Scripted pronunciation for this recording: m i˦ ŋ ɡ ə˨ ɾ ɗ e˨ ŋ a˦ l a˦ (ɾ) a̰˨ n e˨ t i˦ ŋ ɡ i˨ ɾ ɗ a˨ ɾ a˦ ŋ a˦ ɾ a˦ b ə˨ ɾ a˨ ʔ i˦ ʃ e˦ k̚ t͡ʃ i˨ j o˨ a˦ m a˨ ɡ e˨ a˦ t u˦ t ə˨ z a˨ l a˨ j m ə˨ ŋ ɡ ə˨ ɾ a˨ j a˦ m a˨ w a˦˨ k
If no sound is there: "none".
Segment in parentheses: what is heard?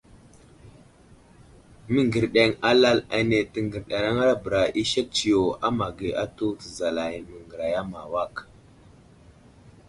l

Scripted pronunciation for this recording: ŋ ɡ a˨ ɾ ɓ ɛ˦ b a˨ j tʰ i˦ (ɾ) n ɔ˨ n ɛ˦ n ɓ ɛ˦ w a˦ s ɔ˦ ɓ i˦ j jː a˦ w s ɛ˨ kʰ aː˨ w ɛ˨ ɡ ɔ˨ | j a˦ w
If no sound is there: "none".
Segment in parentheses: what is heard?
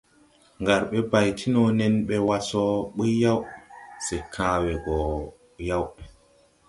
none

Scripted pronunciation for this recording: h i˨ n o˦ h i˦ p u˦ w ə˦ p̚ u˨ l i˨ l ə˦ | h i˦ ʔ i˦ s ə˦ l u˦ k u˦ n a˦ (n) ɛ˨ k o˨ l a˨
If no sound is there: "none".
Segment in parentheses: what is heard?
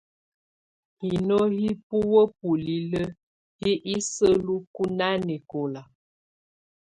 n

